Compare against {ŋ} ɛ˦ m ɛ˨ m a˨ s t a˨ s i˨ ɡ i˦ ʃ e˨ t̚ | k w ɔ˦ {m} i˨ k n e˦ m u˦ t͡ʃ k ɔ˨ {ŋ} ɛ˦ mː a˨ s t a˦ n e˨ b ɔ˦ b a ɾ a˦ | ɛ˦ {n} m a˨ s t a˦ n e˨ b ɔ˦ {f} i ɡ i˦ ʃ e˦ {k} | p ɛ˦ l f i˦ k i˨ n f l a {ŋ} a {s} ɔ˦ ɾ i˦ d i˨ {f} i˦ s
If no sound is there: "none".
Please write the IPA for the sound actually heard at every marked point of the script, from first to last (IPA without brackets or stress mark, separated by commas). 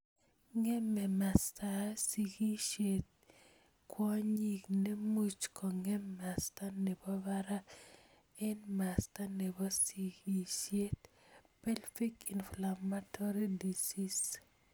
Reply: ŋ, ɲ, ŋ, n, s, t, m, t, s